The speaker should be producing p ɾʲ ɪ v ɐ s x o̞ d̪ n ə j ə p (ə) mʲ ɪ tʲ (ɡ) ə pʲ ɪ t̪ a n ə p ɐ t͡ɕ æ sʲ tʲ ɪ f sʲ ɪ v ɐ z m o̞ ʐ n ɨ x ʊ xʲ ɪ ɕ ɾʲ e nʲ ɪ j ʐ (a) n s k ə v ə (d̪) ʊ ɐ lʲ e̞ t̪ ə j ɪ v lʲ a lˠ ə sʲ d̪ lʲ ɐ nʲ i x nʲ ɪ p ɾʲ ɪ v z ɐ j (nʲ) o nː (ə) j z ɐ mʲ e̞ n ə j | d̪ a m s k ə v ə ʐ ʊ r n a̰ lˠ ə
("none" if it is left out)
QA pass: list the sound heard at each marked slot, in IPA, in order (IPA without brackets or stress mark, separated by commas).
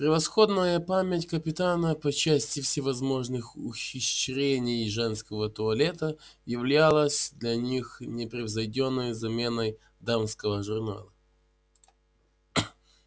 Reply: a, k, ɛ, t̪, dʲ, ə